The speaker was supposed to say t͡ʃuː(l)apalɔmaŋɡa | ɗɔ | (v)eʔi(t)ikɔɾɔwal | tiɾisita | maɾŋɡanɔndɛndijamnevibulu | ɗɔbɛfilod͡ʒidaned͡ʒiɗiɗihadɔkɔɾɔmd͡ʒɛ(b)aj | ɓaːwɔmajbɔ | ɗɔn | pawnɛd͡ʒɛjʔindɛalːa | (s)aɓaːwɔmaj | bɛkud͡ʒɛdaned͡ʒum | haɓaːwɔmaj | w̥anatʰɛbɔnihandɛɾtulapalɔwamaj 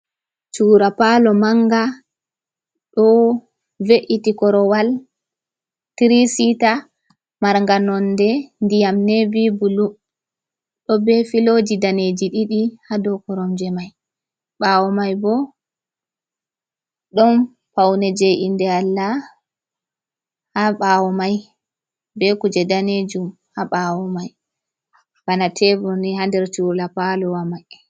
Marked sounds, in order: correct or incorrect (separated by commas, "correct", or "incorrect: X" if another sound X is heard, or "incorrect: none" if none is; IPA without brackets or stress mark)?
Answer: incorrect: ɾ, correct, correct, incorrect: m, incorrect: h